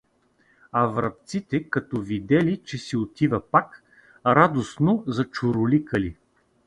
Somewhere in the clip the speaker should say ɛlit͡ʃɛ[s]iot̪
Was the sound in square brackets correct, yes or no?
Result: yes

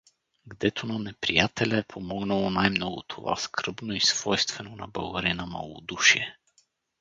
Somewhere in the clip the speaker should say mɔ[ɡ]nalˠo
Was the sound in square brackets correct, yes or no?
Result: yes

